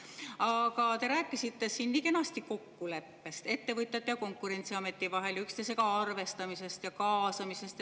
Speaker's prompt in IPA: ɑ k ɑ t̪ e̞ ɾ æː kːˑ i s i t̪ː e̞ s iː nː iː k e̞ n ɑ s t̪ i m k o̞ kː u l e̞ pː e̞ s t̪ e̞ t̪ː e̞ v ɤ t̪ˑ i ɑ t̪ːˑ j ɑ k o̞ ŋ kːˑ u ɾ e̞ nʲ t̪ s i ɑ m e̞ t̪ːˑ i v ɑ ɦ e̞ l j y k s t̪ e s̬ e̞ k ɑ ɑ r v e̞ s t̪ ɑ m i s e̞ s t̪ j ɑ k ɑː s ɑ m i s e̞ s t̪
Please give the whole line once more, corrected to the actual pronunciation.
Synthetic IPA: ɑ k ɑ t̪ e̞ ɾ æː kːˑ i s i t̪ː e̞ s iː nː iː k e̞ n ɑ s t̪ i k o̞ kː u l e̞ pː e̞ s t̪ e̞ t̪ː e̞ v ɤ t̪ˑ j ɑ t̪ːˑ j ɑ k o̞ ŋ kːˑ u ɾ e̞ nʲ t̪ s i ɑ m e̞ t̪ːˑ i v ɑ ɦ e̞ l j y k s t̪ e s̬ e̞ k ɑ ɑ r v e̞ s t̪ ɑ m i s e̞ s t̪ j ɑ k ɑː s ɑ m i s e̞ s t̪